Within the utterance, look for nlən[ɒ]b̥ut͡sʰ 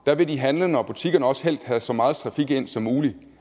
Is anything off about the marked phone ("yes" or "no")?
no